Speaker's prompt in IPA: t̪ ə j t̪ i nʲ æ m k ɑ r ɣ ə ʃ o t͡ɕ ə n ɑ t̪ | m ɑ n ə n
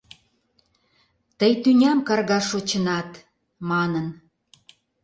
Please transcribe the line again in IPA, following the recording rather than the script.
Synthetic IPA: t̪ ə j t̪ y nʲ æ m k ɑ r ɣ ɑ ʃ o t͡ɕ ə n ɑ t̪ | m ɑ n ə n